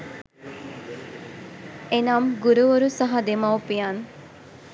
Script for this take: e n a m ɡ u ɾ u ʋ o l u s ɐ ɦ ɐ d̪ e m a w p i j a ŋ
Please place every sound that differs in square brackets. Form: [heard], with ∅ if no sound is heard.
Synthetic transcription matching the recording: e n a m ɡ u ɾ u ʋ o [ɾ] u s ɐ ɦ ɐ d̪ e m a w p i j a [n]

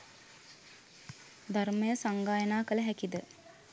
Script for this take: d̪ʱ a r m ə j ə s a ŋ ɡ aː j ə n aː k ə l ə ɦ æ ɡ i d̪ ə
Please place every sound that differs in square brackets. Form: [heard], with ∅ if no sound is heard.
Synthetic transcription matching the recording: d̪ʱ a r m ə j ə s a ŋ ɡ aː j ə n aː k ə l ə ɦ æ [k] i d̪ ə

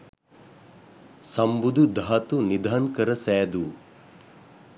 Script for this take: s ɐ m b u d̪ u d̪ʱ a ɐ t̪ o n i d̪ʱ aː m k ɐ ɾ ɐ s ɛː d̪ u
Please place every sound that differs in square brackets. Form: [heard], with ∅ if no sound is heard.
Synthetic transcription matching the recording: s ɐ m b u d̪ u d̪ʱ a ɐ t̪ [u] n i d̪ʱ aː [n] k ɐ ɾ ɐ s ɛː d̪ u

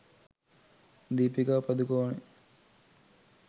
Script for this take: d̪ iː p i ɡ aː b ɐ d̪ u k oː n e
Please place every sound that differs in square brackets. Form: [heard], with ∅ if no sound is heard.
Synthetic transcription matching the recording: d̪ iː p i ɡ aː [p] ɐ d̪ u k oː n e

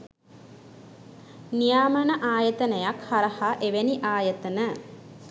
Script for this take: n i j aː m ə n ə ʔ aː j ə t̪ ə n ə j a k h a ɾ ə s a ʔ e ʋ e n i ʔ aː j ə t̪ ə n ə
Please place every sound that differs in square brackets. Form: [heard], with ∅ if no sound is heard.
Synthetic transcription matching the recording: n i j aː m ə n ə ʔ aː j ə t̪ ə n ə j a k h a ɾ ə [h] a ʔ e ʋ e n i ʔ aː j ə t̪ ə n ə

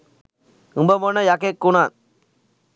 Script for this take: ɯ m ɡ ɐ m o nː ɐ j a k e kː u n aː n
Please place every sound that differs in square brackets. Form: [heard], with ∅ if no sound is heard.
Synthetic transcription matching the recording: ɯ m [b] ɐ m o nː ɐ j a k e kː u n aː n

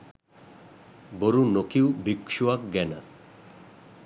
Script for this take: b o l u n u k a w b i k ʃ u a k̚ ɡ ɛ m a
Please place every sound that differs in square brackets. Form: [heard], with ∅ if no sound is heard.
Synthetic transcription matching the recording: b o [ɾ] u n [o] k [i] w b i k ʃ u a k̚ ɡ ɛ [n] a

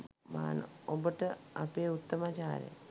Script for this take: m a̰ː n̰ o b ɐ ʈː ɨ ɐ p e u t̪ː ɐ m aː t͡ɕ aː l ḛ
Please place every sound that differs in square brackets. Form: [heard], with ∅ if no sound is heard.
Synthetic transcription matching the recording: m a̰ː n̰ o b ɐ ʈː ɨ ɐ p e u t̪ː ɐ m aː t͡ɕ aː [ɾ] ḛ

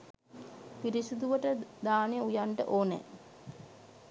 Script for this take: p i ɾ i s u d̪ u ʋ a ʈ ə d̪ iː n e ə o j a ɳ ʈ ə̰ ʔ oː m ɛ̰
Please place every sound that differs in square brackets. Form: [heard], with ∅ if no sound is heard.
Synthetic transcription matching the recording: p i ɾ i s u d̪ u ʋ [ə] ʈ ə d̪ [aː] n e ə [u] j a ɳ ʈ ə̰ ʔ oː [n] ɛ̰

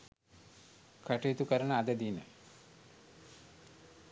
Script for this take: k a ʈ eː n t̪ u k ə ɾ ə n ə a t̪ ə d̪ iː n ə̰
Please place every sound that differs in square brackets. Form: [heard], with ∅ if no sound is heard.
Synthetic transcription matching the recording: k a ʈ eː [∅] t̪ u k ə ɾ ə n ə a [d̪] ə d̪ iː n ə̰

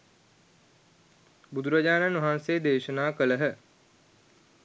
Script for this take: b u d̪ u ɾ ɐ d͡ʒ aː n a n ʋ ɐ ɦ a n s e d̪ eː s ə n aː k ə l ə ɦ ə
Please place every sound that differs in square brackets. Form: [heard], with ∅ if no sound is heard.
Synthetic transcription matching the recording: b u d̪ u ɾ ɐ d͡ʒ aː n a n ʋ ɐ ɦ a n s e d̪ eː [ʃ] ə n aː k ə l ə ɦ ə

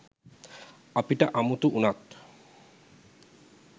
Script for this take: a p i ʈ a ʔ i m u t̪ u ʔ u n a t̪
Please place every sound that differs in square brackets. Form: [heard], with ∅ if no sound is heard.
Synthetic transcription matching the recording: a p i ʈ a ʔ [a] m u t̪ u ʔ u n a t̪

